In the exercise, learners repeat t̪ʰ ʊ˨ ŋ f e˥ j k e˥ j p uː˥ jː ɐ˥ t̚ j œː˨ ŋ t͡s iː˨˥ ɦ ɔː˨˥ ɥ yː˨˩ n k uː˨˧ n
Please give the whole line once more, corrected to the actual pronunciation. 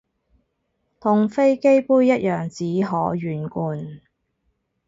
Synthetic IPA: t̪ʰ ʊ˨ ŋ f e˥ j k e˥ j p uː˥ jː ɐ˥ t̚ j œː˨ ŋ t͡s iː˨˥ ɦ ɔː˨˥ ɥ yː˨˩ n k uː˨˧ n